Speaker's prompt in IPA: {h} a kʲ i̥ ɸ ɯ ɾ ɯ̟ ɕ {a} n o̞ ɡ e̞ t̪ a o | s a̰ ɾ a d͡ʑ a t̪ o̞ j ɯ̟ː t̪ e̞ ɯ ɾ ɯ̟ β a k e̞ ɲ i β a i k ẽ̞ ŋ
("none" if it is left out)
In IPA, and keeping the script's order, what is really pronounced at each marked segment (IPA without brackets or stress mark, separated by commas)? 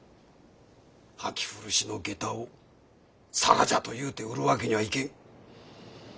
h, i